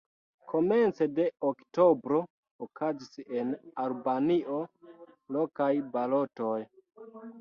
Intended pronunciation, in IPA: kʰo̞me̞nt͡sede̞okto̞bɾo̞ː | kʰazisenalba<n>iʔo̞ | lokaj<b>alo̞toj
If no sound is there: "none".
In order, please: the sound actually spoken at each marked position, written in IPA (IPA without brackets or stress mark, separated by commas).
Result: n, b